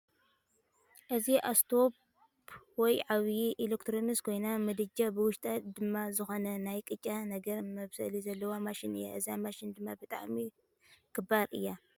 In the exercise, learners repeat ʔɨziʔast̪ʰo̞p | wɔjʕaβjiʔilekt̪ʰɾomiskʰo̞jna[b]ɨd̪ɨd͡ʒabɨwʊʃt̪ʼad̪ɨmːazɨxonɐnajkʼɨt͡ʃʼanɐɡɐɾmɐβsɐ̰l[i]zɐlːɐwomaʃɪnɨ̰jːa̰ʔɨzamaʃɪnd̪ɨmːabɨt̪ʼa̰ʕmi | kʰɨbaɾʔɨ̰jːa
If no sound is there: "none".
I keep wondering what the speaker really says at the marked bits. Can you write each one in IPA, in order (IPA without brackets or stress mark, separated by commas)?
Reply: m, i